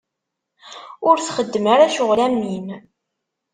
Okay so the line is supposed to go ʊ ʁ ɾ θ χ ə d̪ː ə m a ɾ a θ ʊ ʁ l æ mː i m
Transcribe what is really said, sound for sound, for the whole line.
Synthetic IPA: ʊ ɾ θ χ ə d̪ː ə m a ɾ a ʃ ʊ ʁ l æ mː i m